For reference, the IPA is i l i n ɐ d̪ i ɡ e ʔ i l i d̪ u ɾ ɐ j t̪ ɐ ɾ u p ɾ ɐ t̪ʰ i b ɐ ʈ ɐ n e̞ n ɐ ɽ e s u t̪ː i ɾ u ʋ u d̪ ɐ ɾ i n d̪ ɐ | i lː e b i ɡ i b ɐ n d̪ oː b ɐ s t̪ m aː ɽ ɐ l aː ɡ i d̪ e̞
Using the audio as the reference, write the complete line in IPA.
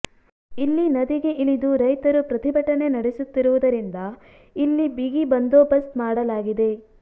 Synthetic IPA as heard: i lː i n ɐ d̪ i ɡ e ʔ i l i d̪ u ɾ ɐ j t̪ ɐ ɾ u p ɾ ɐ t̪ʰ i b ɐ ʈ ɐ n e̞ n ɐ ɽ e s u t̪ː i ɾ u ʋ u d̪ ɐ ɾ i n d̪ ɐ | i lː i b i ɡ i b ɐ n d̪ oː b ɐ s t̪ m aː ɽ ɐ l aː ɡ i d̪ e̞

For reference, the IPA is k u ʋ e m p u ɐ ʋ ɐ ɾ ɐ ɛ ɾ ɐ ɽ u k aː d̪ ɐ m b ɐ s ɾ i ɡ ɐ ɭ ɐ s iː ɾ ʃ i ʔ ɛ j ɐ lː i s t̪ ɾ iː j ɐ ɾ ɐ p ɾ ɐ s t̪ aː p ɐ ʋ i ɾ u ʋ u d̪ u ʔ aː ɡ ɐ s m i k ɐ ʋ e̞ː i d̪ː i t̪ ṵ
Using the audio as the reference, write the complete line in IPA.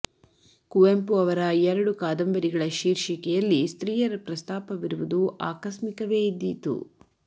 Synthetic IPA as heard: k u ʋ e m p u ɐ ʋ ɐ ɾ ɐ ɛ ɾ ɐ ɽ u k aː d̪ ɐ m b ɐ ɾ i ɡ ɐ ɭ ɐ ʃ iː ɾ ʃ i k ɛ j ɐ lː i s t̪ ɾ iː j ɐ ɾ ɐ p ɾ ɐ s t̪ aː p ɐ ʋ i ɾ u ʋ u d̪ u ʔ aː k ɐ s m i k ɐ ʋ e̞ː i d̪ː i t̪ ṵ

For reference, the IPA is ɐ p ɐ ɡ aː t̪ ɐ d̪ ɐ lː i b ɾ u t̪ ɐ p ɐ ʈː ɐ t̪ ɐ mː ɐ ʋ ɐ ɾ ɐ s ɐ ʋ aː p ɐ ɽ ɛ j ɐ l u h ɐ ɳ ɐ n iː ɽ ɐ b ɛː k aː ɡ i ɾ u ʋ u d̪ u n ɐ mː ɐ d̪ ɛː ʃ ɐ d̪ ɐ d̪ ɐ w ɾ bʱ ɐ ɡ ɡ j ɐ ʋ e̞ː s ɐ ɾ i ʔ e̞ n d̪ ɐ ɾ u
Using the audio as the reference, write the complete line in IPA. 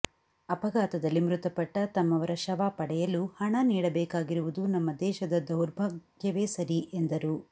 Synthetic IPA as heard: ɐ p ɐ ɡ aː t̪ ɐ d̪ ɐ lː i m ɾ u t̪ ɐ p ɐ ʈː ɐ t̪ ɐ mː ɐ ʋ ɐ ɾ ɐ ʃ ɐ ʋ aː p ɐ ɽ ɛ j ɐ l u h ɐ ɳ ɐ n iː ɽ ɐ b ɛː k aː ɡ i ɾ u ʋ u d̪ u n ɐ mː ɐ d̪ ɛː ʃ ɐ d̪ ɐ d̪ ɐ w ɾ bʱ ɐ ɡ ɡ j ɐ ʋ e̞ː s ɐ ɾ i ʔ e̞ n d̪ ɐ ɾ u

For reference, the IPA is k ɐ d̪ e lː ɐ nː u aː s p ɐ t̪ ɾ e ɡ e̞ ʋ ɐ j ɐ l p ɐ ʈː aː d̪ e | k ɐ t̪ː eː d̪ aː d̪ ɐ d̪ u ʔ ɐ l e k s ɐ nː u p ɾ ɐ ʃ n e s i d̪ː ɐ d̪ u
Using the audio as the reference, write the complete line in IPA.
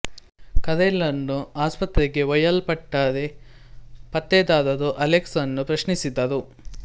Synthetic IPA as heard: k ɐ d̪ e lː ɐ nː u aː s p ɐ t̪ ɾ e ɡ e̞ ʋ ɐ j ɐ l p ɐ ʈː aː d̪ e | p ɐ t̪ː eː d̪ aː d̪ ɐ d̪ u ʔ ɐ l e k s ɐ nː u p ɾ ɐ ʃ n i s i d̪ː ɐ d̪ u

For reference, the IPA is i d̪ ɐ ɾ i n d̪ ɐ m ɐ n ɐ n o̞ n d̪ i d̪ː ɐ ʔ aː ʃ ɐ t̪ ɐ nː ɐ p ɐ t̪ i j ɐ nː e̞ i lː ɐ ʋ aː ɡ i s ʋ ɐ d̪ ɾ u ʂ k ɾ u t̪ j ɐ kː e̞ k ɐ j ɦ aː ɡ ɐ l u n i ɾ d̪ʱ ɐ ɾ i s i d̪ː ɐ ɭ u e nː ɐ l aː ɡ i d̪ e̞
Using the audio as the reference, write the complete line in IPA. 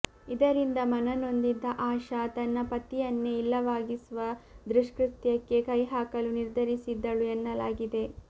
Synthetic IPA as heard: i d̪ ɐ ɾ i n d̪ ɐ m ɐ n ɐ n o̞ n d̪ i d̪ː ɐ ʔ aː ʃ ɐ t̪ ɐ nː ɐ p ɐ t̪ i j ɐ nː e̞ i lː ɐ ʋ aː ɡ i s ʋ ɐ d̪ ɾ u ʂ k ɾ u t̪ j ɐ kː e̞ k ɐ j ɦ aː k ɐ l u n i ɾ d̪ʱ ɐ ɾ i s i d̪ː ɐ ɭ u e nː ɐ l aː ɡ i d̪ e̞

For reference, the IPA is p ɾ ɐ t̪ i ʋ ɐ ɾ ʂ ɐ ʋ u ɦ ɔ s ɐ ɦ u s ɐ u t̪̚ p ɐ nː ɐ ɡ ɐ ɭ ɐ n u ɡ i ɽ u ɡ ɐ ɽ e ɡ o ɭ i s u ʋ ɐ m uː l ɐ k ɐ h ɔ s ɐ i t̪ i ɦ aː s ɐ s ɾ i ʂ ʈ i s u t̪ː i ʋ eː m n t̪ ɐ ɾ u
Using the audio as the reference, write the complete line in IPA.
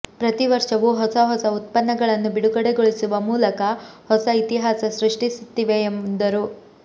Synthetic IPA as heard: p ɾ ɐ t̪ i ʋ ɐ ɾ ʂ ɐ ʋ u ɦ ɔ s ɐ ɦ ɔ s ɐ u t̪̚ p ɐ nː ɐ ɡ ɐ ɭ ɐ nː u b i ɽ u ɡ ɐ ɽ e ɡ o ɭ i s u ʋ ɐ m uː l ɐ k ɐ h ɔ s ɐ i t̪ i ɦ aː s ɐ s ɾ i ʂ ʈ i s u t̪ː i ʋ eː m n d̪ ɐ ɾ u

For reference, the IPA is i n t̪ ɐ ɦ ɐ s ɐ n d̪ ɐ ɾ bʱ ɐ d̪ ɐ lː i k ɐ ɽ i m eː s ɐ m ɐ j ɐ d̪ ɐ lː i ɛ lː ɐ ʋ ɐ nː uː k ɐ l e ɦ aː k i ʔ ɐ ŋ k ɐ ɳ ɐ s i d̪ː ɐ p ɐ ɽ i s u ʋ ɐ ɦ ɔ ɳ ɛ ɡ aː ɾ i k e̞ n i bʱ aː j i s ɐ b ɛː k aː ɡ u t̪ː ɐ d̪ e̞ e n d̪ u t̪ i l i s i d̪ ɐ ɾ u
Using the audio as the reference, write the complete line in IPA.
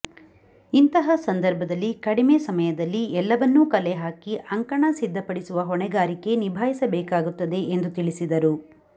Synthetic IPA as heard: i n t̪ ɐ ɦ ɐ s ɐ n d̪ ɐ ɾ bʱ ɐ d̪ ɐ lː i k ɐ ɽ i m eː s ɐ m ɐ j ɐ d̪ ɐ lː i ɛ lː ɐ ʋ ɐ nː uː k ɐ l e ɦ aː k i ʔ ɐ ŋ k ɐ ɳ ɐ s i d̪ː ɐ p ɐ ɽ i s u ʋ ɐ ɦ ɔ ɳ ɛ ɡ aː ɾ i k e̞ n i bʱ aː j i s ɐ b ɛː k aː ɡ u t̪ː ɐ d̪ e̞ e n d̪ u t̪ i ɭ i s i d̪ ɐ ɾ u

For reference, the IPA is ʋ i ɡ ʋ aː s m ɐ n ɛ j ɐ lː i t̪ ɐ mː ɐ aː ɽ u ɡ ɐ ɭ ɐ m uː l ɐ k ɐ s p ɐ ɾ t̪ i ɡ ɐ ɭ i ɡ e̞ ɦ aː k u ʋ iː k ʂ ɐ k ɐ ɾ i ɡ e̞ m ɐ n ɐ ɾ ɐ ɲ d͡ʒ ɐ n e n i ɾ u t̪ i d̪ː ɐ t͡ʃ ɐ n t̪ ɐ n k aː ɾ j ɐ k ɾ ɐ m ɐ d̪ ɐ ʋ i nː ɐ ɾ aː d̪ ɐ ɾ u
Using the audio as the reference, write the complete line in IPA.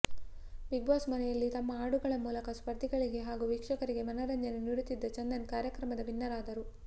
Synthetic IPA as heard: ʋ i ɡ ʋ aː s m ɐ n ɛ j ɐ lː i t̪ ɐ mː ɐ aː ɽ u ɡ ɐ ɭ ɐ m uː l ɐ k ɐ s p ɐ ɾ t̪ i ɡ ɐ ɭ i ɡ e̞ ɦ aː ɡ u ʋ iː k ʂ ɐ k ɐ ɾ i ɡ e̞ m ɐ n ɐ ɾ ɐ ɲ d͡ʒ ɐ n e n i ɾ u t̪ i d̪ː ɐ t͡ʃ ɐ n d̪ ɐ n k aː ɾ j ɐ k ɾ ɐ m ɐ d̪ ɐ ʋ i nː ɐ ɾ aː d̪ ɐ ɾ u

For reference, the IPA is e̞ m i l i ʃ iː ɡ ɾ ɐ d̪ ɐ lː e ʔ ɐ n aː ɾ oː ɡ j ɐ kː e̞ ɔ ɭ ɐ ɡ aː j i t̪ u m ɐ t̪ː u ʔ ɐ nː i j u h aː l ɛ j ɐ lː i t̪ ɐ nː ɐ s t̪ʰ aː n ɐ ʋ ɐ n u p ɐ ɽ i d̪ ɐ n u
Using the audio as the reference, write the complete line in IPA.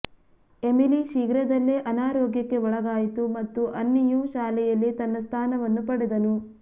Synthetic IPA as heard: e̞ m i l i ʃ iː ɡ ɾ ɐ d̪ ɐ lː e ʔ ɐ n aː ɾ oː ɡ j ɐ kː e̞ ɔ ɭ ɐ ɡ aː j i t̪ u m ɐ t̪ː u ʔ ɐ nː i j u ʃ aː l ɛ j ɐ lː i t̪ ɐ nː ɐ s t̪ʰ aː n ɐ ʋ ɐ nː u p ɐ ɽ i d̪ ɐ n u

